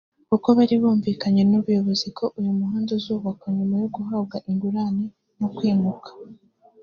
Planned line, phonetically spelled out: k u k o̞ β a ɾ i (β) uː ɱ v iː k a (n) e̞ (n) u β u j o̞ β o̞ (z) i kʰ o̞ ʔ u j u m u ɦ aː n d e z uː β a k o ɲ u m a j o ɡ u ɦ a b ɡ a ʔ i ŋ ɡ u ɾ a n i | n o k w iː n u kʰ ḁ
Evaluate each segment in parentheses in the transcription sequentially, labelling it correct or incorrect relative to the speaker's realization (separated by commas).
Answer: correct, incorrect, correct, correct